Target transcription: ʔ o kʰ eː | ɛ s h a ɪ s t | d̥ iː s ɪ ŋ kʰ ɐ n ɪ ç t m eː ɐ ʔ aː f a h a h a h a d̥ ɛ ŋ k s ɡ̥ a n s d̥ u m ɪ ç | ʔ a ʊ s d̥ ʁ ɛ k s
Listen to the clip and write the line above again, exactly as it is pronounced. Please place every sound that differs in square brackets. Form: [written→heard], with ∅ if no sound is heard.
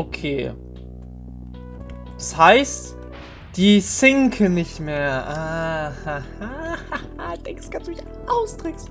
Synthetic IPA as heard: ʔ o kʰ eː | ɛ s h a ɪ s t | d̥ iː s ɪ ŋ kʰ [ɐ→ə] n ɪ ç t m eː ɐ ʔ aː [f→h] a h a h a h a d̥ ɛ ŋ k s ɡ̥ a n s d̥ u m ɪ ç | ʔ a ʊ s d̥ ʁ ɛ k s